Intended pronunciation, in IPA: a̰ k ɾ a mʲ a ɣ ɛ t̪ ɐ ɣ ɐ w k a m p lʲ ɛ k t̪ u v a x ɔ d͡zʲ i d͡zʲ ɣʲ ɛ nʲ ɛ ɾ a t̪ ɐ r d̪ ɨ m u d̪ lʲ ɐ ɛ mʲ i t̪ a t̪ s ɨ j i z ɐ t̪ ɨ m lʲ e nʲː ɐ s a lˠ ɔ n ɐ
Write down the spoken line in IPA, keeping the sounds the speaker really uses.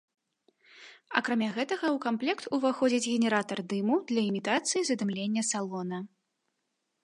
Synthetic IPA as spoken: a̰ k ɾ a mʲ a ɣ ɛ t̪ ɐ ɣ ɐ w k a m p lʲ ɛ k t̪ u v a x ɔ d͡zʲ i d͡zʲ ɣʲ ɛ nʲ ɛ ɾ a t̪ ɐ r d̪ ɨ m u d̪ lʲ ɐ i mʲ i t̪ a t̪ s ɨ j i z ɐ d̪ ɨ m lʲ e nʲː ɐ s a lˠ ɔ n ɐ